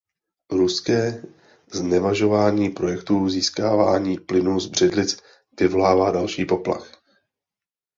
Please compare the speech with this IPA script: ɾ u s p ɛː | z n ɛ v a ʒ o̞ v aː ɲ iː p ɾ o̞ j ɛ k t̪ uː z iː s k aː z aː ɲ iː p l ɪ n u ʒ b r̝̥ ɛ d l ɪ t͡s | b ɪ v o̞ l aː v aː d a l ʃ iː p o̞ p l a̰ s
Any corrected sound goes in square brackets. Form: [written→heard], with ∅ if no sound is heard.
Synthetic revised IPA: ɾ u s [p→k] ɛː | z n ɛ v a ʒ o̞ v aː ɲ iː p ɾ o̞ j ɛ k t̪ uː z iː s k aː [z→v] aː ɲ iː p l ɪ n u [ʒ→z] b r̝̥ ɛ d l ɪ t͡s | [b→v] ɪ v o̞ l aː v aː d a l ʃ iː p o̞ p l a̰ [s→x]